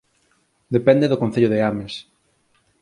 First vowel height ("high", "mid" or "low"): mid